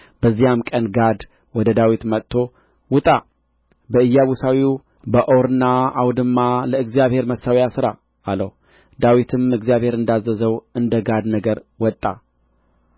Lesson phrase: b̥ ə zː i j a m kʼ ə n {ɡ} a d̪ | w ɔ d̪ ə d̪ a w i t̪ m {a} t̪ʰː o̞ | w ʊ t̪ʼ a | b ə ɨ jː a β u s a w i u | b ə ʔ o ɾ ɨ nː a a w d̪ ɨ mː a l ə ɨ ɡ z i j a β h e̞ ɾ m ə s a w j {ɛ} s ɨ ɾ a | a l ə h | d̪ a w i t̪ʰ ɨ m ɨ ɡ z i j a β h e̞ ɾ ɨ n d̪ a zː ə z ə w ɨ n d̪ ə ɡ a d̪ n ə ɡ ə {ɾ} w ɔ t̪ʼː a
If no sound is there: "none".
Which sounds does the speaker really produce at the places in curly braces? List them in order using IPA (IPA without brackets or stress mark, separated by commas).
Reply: ɡ, ə, a, ɾ